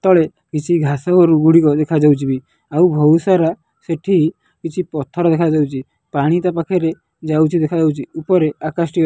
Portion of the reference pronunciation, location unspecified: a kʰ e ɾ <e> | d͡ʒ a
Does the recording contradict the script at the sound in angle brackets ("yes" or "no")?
no